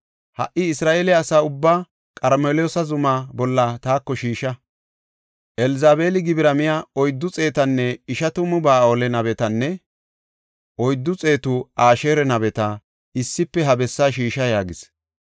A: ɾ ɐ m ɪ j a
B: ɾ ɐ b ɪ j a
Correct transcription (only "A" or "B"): A